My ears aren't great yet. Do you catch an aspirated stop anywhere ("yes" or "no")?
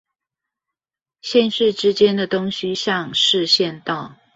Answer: no